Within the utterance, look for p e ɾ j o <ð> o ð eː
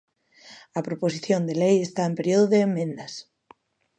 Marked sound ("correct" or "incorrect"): correct